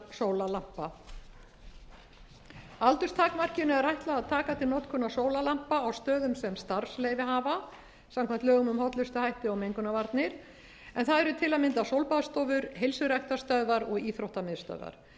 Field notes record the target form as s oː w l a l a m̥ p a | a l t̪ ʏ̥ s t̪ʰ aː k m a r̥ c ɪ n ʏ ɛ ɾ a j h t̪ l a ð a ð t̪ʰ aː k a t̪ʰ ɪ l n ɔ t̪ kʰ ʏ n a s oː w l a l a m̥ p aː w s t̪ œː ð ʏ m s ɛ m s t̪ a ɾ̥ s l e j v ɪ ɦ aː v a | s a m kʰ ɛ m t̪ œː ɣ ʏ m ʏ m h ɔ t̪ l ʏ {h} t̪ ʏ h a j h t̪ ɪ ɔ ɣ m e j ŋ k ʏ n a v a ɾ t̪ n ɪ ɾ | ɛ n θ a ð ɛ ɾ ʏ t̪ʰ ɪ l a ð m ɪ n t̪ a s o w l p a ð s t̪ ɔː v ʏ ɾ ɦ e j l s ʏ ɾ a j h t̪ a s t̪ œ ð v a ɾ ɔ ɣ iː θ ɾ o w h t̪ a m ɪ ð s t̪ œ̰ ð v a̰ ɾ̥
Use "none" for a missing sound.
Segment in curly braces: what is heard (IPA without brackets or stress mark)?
s